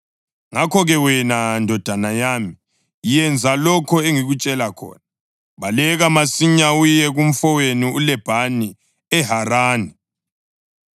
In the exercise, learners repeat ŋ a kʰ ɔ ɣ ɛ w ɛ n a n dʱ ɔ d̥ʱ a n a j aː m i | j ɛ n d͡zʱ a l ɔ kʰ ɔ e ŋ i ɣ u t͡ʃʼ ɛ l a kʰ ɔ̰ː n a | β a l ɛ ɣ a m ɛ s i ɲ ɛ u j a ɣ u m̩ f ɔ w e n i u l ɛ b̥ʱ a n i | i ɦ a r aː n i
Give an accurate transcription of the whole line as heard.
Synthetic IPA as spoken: ŋ a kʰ ɔ ɣ ɛ w ɛ n a n dʱ ɔ d̥ʱ a n a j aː m i | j ɛ n d͡zʱ a l ɔ kʰ ɔ e ŋ i ɣ u t͡ʃʼ ɛ l a kʰ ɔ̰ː n a | β a l ɛ ɣ a m a s i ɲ a u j ɛ ɣ u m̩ f ɔ w e n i u l ɛ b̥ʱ a n i | ɛ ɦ a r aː n i